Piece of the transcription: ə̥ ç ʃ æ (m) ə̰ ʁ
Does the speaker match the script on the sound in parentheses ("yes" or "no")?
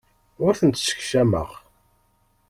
yes